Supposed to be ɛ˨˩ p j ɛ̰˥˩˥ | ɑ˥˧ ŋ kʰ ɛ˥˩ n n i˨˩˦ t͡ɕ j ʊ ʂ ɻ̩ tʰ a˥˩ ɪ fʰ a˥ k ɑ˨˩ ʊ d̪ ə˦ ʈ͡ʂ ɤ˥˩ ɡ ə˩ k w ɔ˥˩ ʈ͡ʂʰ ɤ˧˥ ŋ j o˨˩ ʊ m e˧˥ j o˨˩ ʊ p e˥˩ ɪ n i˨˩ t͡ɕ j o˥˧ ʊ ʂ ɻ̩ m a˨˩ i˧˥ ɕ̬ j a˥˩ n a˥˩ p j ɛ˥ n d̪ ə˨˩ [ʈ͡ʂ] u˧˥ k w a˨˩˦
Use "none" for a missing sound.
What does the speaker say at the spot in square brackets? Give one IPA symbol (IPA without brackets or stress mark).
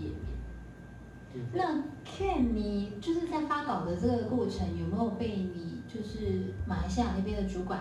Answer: ʈ͡ʂ